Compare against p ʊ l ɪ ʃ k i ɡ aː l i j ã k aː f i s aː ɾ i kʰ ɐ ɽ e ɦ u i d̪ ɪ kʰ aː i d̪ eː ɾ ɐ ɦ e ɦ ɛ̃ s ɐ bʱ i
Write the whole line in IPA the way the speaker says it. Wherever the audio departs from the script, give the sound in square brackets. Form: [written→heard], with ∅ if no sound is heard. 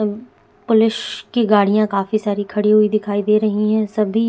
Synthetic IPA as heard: p ʊ l ɪ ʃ k i ɡ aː [l→ɽ] i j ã k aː f i s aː ɾ i kʰ ɐ ɽ [e→i] ɦ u i d̪ ɪ kʰ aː i d̪ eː ɾ ɐ ɦ [e→i] ɦ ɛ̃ s ɐ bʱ i